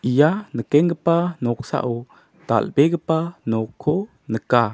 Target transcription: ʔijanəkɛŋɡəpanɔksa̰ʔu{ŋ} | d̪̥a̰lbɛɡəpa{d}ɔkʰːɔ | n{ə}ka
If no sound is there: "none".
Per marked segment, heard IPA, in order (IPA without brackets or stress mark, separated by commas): none, n, ə